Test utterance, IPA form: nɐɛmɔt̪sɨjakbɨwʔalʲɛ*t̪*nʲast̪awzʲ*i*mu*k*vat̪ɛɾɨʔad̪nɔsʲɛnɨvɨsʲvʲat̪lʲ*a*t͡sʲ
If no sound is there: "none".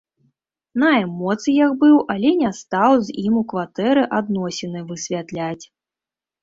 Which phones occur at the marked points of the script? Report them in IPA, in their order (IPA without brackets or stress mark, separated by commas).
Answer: none, i, k, a